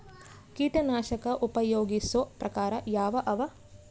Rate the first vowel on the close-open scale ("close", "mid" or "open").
close